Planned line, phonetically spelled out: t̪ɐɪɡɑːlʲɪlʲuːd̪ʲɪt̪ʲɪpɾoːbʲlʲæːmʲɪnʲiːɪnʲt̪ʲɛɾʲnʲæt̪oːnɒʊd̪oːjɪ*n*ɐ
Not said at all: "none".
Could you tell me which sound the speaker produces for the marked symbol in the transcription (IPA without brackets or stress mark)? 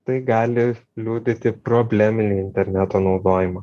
m